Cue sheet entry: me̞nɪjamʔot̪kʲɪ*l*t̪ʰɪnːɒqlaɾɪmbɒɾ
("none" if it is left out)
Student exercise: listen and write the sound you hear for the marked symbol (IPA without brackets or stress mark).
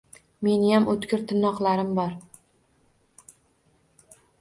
ɾ